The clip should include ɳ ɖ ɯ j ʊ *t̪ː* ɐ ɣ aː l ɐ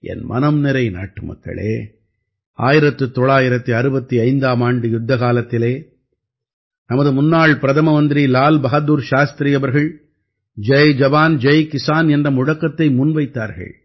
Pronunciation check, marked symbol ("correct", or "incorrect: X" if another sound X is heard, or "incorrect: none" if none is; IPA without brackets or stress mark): incorrect: d̪ː